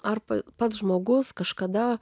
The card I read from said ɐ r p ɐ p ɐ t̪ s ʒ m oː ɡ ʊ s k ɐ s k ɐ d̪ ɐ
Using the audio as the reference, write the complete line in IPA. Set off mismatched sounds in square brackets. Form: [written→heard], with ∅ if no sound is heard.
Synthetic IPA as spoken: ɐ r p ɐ p ɐ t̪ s ʒ m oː ɡ ʊ s k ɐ [s→ʃ] k ɐ d̪ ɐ